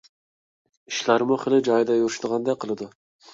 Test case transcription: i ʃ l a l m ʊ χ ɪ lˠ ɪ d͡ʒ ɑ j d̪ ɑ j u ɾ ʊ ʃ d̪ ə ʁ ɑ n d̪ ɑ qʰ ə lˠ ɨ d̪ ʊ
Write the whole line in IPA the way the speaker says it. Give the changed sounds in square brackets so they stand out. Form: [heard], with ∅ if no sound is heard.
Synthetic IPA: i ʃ l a [ɾ] m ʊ χ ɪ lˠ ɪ d͡ʒ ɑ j d̪ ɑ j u ɾ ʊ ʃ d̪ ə ʁ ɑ n d̪ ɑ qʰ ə lˠ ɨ d̪ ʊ